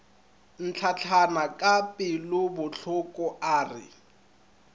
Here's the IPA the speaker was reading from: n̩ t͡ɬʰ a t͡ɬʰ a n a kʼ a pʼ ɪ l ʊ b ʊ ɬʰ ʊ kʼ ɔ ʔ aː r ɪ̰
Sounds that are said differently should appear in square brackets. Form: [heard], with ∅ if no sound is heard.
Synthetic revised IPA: n̩ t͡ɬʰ a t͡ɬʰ a n a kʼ a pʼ ɪ l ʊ b ʊ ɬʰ ʊ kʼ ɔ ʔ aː r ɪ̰